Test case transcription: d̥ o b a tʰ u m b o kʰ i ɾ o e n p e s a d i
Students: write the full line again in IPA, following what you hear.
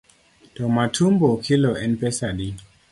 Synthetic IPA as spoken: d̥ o m a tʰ u m b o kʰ i l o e n p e s a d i